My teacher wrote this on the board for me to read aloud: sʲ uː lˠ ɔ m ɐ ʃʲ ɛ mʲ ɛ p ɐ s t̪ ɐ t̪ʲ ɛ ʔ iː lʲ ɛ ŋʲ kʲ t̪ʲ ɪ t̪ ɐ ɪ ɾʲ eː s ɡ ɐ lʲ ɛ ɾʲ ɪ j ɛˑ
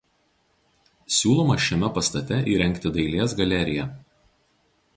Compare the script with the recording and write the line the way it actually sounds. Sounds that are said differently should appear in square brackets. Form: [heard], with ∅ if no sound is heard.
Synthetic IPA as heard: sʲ uː lˠ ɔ m ɐ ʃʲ ɛ mʲ ɛ p ɐ s t̪ ɐ t̪ʲ ɛ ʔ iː [ɾʲ] ɛ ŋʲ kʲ t̪ʲ ɪ [d̪] ɐ ɪ [lʲ] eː s ɡ ɐ lʲ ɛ ɾʲ ɪ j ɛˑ